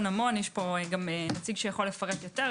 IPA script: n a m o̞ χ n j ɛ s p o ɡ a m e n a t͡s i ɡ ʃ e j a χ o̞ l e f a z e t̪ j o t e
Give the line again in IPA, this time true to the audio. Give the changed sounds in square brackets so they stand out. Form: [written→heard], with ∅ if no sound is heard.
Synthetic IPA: n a m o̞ [χ→∅] n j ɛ [s→ʃ] p o ɡ a m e n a t͡s i ɡ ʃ e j a χ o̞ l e f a [z→ʁ] e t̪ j o t e